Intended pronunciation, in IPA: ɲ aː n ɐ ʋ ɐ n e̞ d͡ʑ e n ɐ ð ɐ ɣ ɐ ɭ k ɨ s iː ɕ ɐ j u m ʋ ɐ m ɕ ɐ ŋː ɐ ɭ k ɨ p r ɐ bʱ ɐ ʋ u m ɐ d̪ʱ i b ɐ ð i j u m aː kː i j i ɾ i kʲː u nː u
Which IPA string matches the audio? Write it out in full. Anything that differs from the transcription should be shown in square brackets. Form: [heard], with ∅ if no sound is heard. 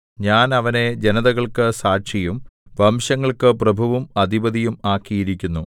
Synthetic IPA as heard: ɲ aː n ɐ ʋ ɐ n e̞ d͡ʑ e n ɐ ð ɐ ɣ ɐ ɭ k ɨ s [aː] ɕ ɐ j u m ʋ ɐ m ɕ ɐ ŋː ɐ ɭ k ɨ p r ɐ bʱ ɐ ʋ u m ɐ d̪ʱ i b ɐ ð i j u m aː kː i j i ɾ i kʲː u nː u